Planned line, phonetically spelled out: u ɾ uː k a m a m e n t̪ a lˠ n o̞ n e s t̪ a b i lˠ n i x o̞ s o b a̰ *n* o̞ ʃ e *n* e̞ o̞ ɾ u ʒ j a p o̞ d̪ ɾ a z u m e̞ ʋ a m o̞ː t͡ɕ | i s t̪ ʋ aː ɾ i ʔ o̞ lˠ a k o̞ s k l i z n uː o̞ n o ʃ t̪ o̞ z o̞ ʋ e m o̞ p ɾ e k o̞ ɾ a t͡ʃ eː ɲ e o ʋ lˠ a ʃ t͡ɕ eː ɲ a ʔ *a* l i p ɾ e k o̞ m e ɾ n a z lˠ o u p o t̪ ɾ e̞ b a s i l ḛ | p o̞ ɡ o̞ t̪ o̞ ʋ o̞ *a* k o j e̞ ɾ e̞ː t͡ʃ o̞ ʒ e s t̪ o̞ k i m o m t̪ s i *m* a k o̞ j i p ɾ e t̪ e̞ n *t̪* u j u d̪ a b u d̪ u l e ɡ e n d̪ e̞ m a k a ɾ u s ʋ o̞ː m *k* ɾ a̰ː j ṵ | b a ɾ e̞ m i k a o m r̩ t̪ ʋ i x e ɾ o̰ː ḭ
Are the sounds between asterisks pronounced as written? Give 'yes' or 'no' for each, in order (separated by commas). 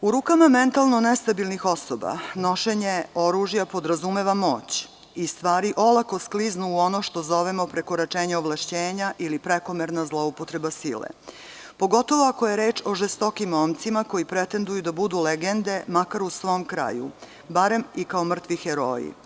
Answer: yes, no, no, yes, yes, no, yes